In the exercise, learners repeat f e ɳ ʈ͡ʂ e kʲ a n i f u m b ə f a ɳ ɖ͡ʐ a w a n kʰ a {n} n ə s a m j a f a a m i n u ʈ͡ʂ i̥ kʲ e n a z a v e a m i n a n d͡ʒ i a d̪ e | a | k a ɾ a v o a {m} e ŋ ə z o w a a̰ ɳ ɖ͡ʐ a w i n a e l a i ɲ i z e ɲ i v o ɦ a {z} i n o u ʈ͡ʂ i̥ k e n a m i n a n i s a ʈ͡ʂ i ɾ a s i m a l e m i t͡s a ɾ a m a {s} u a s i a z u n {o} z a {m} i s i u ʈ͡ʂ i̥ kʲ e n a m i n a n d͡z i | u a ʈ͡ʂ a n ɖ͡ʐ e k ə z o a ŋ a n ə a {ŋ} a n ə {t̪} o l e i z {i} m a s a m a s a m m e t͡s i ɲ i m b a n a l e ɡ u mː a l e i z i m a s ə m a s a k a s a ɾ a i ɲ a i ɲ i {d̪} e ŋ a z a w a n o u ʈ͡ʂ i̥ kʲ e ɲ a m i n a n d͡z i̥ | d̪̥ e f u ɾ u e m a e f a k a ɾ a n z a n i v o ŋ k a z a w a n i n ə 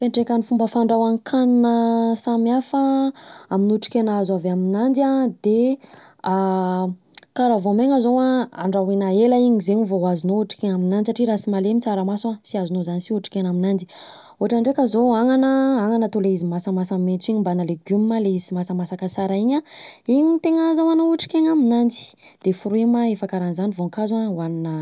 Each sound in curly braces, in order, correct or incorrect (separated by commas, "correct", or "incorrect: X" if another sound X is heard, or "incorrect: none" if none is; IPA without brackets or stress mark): correct, correct, correct, correct, correct, incorrect: n, correct, correct, correct, incorrect: t̪